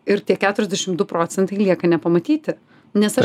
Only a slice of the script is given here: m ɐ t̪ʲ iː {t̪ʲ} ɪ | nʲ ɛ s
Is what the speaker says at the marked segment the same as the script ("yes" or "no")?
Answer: yes